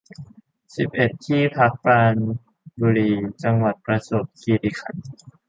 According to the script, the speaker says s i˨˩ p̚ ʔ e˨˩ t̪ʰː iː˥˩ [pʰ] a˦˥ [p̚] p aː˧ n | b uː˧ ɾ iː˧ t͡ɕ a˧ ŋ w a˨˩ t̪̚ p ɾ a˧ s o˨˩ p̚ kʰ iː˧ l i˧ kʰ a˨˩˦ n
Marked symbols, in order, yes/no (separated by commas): yes, no